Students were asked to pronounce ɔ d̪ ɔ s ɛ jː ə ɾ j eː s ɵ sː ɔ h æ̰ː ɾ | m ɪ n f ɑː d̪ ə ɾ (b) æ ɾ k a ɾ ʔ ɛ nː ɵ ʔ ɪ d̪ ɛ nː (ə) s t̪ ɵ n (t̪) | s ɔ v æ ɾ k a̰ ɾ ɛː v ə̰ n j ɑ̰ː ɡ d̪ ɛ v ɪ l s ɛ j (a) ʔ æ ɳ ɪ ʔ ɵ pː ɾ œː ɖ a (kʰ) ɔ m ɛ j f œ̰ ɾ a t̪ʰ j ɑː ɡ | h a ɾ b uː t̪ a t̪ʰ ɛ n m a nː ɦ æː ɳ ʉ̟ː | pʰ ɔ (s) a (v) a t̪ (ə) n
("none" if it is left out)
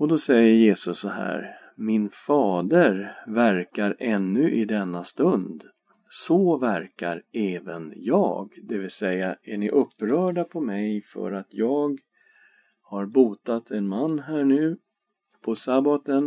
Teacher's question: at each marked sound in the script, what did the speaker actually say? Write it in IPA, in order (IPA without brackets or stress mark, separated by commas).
v, a, d̪, a, pʰ, s, b, ə